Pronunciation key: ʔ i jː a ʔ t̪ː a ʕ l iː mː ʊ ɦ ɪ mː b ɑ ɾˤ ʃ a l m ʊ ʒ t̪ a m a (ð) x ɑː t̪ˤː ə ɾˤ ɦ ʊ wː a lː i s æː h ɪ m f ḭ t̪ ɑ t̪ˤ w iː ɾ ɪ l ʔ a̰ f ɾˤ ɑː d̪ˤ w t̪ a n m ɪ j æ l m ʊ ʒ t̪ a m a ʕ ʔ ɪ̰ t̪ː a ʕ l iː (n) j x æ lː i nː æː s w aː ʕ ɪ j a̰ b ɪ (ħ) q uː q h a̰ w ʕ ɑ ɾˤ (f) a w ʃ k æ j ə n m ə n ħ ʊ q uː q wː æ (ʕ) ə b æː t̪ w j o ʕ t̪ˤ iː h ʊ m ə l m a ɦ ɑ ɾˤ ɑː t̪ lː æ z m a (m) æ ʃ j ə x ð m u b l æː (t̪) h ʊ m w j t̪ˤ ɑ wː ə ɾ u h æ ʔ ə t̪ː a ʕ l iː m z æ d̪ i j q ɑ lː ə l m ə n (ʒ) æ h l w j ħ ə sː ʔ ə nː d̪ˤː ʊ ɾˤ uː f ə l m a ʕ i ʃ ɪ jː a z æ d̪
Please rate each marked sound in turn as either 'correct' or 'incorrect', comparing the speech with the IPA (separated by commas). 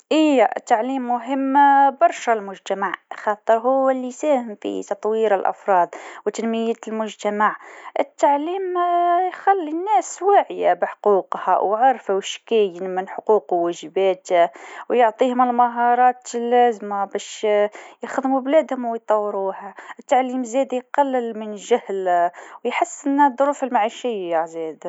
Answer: incorrect, incorrect, correct, correct, incorrect, incorrect, incorrect, correct